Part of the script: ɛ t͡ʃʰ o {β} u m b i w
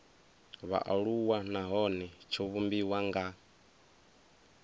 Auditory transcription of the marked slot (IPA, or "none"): β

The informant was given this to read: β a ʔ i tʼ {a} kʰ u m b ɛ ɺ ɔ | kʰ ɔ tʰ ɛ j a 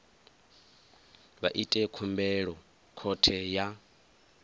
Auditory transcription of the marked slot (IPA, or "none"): ɛ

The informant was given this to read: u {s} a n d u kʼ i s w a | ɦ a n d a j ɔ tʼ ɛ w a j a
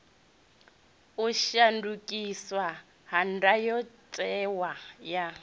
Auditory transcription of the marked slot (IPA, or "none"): ʃ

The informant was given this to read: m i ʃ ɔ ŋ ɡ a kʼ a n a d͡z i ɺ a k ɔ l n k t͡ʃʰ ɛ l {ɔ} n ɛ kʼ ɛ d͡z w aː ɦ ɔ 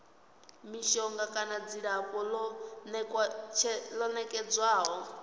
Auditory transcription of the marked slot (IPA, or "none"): ɔ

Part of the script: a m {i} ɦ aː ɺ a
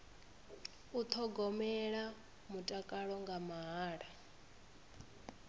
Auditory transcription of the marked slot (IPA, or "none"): a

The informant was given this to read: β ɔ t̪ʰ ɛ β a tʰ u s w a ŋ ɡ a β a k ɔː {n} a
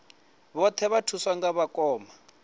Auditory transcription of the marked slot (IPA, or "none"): m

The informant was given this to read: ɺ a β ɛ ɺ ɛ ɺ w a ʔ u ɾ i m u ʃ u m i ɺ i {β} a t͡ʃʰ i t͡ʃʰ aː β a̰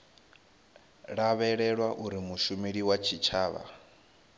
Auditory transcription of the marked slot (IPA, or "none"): w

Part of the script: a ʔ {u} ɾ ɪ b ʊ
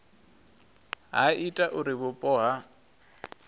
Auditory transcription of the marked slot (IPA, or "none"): ʊ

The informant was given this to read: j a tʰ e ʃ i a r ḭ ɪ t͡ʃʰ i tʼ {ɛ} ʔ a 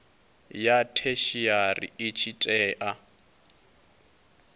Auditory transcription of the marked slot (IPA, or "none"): ɛː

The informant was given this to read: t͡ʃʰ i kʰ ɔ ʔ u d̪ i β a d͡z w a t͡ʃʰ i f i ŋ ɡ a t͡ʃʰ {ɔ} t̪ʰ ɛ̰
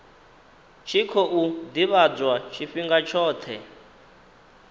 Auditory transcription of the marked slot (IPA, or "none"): ɔː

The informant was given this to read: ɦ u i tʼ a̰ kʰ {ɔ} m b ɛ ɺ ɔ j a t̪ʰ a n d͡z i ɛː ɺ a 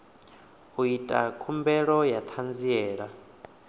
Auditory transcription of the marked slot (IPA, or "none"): u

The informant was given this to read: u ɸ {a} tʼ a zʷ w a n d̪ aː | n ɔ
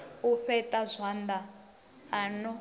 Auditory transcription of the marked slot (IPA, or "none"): ɛ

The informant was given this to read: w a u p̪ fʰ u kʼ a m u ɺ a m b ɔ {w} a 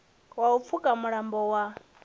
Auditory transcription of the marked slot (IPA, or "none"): w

